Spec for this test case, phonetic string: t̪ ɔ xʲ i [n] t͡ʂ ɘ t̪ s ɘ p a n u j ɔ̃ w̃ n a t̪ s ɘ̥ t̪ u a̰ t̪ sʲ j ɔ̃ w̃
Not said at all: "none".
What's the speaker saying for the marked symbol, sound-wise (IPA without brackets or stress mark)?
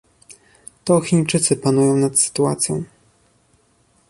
ɲ